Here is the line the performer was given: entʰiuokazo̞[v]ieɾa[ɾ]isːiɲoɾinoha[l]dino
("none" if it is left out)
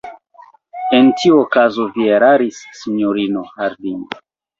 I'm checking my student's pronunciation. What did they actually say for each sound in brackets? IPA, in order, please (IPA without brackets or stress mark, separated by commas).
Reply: v, ɾ, ɾ